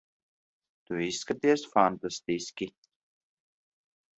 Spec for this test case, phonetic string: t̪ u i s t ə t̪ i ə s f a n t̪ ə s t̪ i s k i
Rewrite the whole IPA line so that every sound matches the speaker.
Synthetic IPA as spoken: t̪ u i s k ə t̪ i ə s f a n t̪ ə s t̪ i s k i